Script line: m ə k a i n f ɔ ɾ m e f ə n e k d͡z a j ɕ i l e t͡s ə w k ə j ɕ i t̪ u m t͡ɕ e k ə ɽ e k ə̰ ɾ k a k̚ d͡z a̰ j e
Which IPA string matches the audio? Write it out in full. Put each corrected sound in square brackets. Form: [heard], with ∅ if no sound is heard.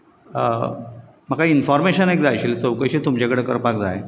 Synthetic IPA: m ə k a i n f ɔ ɾ m e [ɕ] ə n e k d͡z a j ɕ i l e t͡s ə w k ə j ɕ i t̪ u m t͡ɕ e k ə ɽ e k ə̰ ɾ [p] a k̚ d͡z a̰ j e